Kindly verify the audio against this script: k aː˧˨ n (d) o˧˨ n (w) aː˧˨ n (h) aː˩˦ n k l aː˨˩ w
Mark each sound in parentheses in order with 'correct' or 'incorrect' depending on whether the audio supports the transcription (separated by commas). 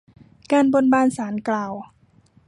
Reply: incorrect, incorrect, incorrect